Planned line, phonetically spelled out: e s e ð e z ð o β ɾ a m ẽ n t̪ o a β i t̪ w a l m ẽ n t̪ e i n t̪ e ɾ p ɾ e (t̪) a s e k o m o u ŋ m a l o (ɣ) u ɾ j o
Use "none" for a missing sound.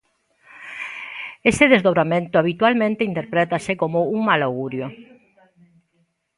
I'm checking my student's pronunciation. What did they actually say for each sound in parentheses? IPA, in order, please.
t̪, ɣ

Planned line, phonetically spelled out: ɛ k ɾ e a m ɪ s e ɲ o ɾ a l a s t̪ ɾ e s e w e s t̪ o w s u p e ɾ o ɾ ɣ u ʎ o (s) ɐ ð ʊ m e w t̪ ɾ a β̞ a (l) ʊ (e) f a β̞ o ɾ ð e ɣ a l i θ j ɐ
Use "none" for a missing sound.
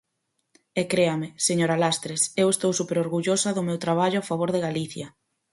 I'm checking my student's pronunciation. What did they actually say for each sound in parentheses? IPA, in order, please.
s, ʎ, a

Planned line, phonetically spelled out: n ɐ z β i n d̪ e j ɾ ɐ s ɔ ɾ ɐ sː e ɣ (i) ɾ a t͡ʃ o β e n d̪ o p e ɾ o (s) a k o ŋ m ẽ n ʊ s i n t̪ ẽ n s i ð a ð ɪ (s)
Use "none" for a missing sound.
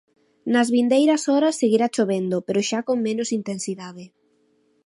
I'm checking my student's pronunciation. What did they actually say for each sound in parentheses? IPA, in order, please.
i, ʃ, none

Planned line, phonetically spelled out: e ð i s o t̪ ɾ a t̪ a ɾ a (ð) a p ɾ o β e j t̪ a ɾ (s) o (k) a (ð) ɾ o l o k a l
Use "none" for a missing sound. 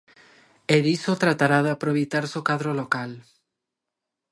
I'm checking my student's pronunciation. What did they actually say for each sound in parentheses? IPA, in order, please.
ð, s, k, ð

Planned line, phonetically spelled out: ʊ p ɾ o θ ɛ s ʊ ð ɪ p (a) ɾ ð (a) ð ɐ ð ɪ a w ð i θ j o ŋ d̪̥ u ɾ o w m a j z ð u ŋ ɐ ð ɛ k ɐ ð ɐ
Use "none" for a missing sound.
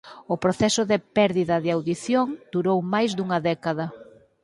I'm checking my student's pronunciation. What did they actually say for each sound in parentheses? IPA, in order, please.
ɛ, i

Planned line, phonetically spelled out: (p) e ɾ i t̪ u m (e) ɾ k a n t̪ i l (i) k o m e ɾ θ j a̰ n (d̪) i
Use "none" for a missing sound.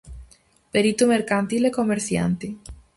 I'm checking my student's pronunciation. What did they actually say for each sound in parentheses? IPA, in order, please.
p, e, e, t̪

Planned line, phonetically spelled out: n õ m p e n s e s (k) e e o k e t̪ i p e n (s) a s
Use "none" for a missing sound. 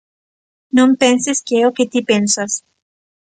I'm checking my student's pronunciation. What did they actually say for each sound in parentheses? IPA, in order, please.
k, s

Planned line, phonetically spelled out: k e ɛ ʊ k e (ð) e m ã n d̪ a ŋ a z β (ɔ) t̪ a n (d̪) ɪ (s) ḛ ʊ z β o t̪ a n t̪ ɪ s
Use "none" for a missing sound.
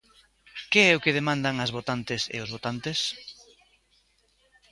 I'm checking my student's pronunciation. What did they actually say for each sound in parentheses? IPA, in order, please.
ð, o, t̪, s

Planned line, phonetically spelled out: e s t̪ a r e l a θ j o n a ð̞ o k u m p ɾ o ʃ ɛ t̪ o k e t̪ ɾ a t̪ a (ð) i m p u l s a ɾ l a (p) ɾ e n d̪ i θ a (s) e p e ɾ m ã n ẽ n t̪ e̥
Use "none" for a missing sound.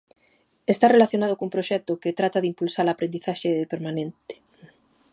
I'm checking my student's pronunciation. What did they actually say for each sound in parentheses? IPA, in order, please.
ð, p, ʃ

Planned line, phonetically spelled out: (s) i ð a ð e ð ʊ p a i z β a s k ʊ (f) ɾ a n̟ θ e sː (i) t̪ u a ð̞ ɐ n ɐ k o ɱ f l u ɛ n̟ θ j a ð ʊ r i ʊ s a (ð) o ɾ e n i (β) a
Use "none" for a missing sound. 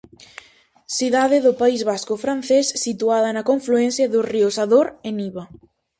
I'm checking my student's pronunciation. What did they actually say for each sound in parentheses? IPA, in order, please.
s, f, i, ð, β

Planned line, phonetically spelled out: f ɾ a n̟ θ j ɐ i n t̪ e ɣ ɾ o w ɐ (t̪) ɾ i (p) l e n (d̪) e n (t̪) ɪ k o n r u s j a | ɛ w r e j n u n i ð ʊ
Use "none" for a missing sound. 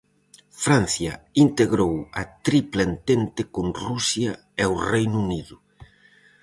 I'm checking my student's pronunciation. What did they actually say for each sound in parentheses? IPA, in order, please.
t̪, p, t̪, t̪

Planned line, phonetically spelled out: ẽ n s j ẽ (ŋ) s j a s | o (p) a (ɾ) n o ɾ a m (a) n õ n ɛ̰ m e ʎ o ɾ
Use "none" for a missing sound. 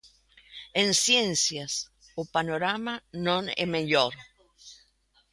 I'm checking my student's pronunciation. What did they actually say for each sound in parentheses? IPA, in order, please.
n, p, none, a

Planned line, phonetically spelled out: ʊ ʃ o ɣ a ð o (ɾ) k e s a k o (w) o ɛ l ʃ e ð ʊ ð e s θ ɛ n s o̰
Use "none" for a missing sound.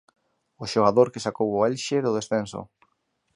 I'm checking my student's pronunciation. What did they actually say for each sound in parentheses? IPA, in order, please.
ɾ, w

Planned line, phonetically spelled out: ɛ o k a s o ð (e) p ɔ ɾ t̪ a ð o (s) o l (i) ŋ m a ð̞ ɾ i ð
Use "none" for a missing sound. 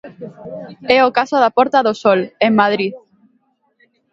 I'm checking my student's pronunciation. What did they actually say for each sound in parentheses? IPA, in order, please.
a, s, e

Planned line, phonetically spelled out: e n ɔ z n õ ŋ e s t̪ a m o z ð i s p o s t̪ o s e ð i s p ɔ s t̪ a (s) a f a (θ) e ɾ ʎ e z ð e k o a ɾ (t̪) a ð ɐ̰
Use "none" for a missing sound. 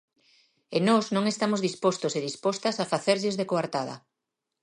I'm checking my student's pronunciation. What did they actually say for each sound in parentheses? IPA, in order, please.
s, θ, t̪

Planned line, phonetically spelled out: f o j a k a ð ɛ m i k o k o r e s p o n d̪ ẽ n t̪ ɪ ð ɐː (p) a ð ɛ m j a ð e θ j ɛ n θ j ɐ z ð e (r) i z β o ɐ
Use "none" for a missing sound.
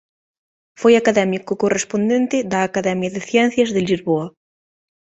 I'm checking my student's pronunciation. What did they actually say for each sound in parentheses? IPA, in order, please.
k, l

